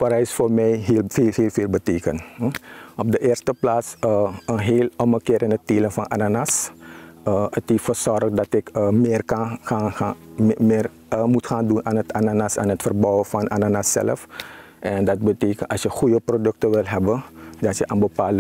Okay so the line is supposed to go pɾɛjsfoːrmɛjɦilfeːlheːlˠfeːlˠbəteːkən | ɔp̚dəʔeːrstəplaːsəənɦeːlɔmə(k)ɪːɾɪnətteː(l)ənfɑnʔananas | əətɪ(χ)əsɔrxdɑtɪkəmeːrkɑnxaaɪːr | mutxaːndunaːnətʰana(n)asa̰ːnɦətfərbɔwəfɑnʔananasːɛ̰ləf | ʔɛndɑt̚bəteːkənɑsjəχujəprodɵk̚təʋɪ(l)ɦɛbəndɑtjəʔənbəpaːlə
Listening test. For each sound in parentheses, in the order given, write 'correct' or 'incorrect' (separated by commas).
correct, correct, incorrect, correct, correct